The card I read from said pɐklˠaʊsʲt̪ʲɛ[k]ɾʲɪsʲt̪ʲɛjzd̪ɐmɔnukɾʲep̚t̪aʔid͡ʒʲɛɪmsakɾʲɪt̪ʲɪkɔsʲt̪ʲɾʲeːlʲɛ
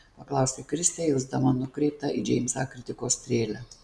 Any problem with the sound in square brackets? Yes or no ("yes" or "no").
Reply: no